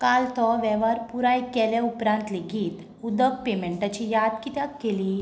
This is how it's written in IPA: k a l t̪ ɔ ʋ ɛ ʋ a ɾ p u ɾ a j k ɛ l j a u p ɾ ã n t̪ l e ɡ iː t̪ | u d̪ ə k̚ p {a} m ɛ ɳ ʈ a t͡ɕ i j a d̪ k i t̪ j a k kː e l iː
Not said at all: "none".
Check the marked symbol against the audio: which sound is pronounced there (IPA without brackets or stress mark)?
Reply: e